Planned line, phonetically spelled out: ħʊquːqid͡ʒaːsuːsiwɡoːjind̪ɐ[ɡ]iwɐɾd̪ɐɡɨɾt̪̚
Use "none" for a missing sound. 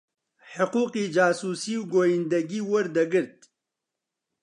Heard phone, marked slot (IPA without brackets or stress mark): ɡ